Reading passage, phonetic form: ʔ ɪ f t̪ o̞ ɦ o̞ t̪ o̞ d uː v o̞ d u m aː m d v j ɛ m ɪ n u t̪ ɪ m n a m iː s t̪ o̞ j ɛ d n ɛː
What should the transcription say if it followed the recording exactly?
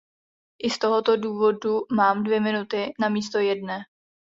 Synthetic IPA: ʔ ɪ s t̪ o̞ ɦ o̞ t̪ o̞ d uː v o̞ d u m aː m d v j ɛ m ɪ n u t̪ ɪ n a m iː s t̪ o̞ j ɛ d n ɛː